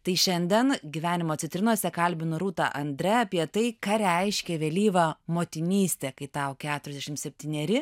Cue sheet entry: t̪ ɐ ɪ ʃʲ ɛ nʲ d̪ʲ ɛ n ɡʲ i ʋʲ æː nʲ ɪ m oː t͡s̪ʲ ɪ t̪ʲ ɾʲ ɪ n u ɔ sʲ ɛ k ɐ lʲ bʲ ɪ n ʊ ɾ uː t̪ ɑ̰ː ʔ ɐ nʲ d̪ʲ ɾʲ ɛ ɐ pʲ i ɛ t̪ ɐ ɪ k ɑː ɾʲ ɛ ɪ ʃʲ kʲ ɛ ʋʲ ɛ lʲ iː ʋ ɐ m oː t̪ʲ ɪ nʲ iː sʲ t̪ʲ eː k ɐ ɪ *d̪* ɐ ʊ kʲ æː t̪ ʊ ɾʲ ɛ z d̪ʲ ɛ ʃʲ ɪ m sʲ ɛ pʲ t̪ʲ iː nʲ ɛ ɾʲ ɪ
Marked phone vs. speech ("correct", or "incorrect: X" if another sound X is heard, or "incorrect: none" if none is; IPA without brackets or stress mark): incorrect: t̪